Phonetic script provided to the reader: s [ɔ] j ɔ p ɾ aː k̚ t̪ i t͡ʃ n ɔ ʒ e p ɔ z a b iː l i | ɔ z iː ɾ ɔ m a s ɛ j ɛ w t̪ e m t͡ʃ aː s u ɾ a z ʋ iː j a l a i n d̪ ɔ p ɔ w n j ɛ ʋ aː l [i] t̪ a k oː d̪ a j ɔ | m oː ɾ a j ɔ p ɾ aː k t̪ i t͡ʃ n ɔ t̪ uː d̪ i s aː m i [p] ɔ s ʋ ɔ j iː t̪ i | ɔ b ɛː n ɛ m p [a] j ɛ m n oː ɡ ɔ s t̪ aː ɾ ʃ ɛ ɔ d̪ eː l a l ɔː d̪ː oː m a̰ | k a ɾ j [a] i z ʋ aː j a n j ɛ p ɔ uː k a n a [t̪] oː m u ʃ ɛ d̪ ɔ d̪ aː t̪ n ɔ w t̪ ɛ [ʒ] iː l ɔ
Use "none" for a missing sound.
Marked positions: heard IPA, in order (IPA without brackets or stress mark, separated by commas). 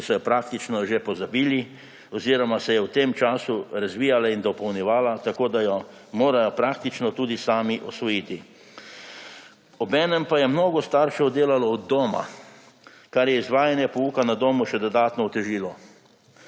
ɔ, a, ʔ, a, ɛ, d̪, ʒ